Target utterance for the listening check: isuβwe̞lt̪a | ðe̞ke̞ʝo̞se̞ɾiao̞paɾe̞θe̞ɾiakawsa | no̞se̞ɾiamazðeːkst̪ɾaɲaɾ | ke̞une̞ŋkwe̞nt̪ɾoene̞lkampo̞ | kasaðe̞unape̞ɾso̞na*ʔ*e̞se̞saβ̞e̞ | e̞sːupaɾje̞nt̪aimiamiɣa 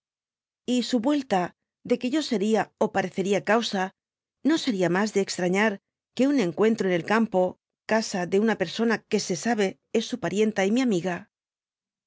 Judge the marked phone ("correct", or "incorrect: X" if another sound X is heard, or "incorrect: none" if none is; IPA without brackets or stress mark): incorrect: k